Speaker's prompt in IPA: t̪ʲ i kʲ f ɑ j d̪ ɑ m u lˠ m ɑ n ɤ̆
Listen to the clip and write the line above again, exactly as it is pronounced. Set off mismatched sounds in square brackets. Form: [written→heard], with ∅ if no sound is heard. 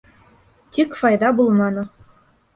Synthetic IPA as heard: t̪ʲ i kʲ f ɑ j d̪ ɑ [m→b] u lˠ m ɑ n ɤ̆